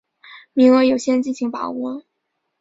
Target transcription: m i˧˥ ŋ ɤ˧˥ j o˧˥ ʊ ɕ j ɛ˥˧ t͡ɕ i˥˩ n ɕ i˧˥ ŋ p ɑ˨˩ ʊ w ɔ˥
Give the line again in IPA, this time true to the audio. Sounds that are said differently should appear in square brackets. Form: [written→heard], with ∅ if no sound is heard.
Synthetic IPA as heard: m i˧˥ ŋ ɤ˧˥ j [o˧˥→o˨˩] ʊ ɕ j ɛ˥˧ t͡ɕ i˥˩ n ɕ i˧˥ ŋ p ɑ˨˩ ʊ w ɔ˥